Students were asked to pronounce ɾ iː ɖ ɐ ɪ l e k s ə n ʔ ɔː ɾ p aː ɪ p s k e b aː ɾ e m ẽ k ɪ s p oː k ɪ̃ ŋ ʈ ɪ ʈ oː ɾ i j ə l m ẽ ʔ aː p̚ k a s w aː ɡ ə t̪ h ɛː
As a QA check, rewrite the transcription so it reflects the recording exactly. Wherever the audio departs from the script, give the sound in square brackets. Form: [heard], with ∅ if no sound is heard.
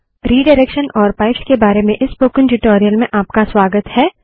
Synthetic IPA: ɾ iː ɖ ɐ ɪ [ɾ] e k [ʃ] ə n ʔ ɔː ɾ p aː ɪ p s k e b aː ɾ e m ẽ [ʔ] ɪ s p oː k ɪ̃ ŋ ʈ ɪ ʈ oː ɾ i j ə l m ẽ ʔ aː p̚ k a s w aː ɡ ə t̪ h ɛː